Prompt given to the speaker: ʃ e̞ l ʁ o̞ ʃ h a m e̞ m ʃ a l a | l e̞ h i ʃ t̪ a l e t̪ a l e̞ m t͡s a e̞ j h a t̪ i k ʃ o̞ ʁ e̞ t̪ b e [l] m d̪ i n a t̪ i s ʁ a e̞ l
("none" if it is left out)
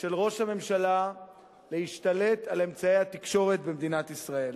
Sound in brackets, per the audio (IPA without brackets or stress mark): none